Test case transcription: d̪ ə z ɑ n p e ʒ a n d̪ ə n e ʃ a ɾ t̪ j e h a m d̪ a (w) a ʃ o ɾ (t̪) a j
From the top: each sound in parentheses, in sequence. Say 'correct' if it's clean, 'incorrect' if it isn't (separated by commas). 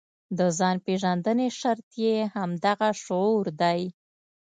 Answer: incorrect, incorrect